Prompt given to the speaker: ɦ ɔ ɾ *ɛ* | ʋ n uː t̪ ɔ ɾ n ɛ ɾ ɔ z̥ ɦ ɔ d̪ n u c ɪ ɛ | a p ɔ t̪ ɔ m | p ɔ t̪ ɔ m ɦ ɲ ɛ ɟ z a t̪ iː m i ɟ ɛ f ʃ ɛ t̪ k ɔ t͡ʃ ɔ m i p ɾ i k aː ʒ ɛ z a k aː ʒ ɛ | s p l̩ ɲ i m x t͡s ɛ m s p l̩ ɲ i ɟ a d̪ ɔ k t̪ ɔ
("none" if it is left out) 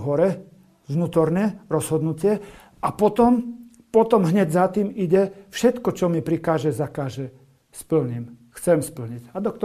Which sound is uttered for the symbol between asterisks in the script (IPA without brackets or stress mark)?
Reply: ɛ